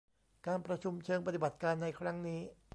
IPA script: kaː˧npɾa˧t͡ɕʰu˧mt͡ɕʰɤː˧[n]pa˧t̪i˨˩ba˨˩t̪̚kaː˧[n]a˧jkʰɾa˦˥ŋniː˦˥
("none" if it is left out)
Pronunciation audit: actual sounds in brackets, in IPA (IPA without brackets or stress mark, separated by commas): ŋ, nː